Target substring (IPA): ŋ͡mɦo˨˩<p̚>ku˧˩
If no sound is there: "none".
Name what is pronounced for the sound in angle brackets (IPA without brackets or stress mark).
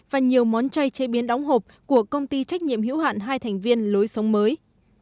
p̚